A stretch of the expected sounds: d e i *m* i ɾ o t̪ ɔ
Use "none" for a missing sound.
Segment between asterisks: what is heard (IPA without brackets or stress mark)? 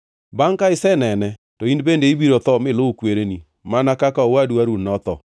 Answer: b